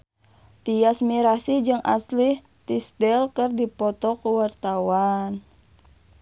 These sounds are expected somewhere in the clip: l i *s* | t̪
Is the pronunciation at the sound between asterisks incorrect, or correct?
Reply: incorrect: h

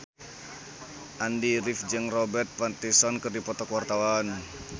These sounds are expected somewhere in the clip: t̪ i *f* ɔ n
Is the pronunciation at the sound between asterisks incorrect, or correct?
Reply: incorrect: s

